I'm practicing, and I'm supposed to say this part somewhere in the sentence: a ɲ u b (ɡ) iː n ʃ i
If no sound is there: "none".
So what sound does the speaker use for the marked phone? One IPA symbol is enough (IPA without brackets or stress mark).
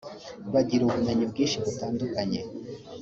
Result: ɡ